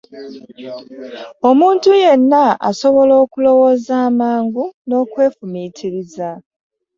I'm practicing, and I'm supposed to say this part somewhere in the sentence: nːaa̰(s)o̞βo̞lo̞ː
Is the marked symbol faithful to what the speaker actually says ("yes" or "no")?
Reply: yes